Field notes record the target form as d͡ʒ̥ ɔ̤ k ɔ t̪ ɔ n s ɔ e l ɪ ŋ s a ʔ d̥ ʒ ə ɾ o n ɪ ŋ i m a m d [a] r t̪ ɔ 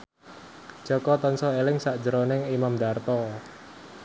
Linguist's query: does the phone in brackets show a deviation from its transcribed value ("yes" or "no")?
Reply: no